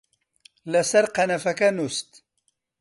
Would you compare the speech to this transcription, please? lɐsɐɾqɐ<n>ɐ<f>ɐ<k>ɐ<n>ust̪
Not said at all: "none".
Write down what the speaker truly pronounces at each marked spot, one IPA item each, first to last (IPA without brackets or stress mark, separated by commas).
n, f, k, n